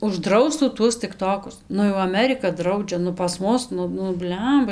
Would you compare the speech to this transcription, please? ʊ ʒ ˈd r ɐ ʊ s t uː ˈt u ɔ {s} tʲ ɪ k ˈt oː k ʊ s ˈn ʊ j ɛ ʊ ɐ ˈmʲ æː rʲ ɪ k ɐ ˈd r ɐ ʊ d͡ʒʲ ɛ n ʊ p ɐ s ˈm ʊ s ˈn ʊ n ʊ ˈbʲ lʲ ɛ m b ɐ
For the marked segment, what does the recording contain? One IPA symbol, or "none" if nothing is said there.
s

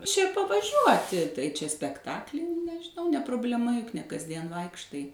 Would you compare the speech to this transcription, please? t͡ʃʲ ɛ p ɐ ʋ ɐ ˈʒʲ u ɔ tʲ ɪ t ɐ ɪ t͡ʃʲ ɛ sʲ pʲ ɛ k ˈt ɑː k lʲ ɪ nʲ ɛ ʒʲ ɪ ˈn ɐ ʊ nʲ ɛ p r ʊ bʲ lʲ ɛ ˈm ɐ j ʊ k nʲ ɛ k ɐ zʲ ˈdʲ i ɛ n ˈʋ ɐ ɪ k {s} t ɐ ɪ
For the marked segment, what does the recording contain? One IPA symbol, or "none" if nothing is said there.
ʃ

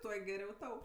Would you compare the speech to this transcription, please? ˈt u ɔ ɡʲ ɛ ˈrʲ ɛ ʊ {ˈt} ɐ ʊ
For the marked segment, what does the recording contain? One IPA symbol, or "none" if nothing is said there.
t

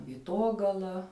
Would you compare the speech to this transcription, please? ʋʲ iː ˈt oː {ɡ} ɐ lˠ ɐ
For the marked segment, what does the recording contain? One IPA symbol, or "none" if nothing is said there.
ɡ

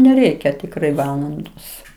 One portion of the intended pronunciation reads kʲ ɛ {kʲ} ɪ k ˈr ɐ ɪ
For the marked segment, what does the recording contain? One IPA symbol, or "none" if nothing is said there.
tʲ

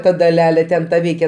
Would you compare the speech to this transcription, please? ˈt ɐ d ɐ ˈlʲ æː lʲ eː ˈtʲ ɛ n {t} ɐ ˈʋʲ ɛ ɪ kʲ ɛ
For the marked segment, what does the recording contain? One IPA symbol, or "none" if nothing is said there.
t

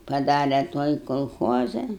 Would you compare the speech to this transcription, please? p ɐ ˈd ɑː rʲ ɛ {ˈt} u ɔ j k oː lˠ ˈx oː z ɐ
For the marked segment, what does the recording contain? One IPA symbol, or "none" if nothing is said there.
t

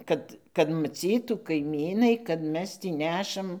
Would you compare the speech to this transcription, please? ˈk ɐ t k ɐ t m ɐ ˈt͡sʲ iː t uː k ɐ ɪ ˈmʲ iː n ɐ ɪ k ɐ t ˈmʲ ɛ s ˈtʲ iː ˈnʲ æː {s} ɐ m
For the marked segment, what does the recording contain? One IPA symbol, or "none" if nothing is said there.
ʃ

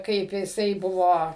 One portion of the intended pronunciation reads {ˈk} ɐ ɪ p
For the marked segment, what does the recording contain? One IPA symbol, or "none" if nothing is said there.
k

